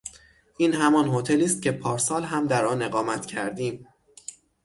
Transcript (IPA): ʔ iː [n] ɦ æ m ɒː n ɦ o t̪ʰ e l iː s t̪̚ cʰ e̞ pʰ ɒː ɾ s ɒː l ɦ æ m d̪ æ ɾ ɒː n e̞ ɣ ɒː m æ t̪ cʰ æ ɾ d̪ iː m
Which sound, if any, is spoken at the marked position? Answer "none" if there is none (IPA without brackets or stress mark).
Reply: n